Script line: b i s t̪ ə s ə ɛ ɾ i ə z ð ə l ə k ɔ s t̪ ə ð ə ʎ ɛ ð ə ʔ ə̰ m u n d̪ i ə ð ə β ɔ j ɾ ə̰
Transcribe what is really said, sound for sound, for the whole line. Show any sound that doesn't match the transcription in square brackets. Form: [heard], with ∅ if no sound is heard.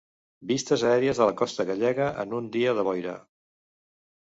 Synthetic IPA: b i s t̪ ə [z] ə ɛ ɾ i ə z ð ə l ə k ɔ s t̪ ə [ɣ] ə ʎ ɛ [ɣ] ə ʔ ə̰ [n] u n d̪ i ə ð ə β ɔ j ɾ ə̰